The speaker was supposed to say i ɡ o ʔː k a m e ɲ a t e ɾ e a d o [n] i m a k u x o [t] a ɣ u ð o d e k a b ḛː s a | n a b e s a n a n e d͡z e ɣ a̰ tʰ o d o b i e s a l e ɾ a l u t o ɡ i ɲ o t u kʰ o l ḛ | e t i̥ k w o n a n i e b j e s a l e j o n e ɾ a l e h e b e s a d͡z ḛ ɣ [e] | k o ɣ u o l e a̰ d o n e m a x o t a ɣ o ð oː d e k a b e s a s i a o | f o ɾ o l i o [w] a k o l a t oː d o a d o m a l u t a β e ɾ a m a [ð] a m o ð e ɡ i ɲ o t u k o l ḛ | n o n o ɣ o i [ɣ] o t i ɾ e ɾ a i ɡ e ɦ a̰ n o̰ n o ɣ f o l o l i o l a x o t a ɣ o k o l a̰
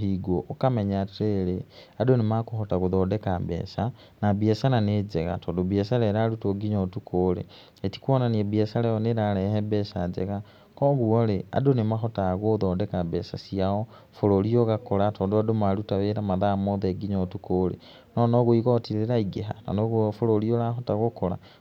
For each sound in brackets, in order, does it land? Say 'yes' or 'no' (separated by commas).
yes, yes, no, no, yes, yes